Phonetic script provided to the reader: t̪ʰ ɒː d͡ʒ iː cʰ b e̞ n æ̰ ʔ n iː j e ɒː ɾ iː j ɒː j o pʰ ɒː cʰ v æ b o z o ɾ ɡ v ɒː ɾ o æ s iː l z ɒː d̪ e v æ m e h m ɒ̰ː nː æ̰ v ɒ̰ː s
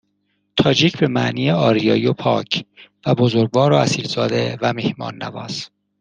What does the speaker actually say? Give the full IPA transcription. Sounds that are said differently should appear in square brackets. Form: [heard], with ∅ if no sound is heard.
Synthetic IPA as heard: t̪ʰ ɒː d͡ʒ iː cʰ b e̞ [m] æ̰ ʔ n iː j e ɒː ɾ [i] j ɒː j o pʰ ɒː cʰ v æ b o z o ɾ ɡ v ɒː ɾ o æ s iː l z ɒː d̪ e v æ m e h m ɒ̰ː nː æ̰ v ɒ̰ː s